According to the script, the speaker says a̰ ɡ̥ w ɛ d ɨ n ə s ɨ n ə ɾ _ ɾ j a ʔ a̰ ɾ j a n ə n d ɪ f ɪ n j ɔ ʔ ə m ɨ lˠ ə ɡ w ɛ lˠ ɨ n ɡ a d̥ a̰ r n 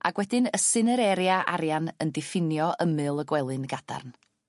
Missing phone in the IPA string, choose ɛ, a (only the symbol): ɛ